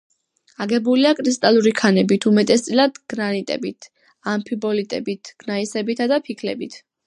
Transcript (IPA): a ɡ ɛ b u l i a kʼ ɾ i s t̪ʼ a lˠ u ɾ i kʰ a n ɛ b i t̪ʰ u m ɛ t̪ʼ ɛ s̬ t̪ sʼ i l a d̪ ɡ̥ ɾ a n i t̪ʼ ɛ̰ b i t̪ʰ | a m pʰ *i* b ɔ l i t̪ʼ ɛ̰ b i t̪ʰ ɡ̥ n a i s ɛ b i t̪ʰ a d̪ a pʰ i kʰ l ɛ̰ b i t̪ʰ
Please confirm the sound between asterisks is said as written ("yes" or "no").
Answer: yes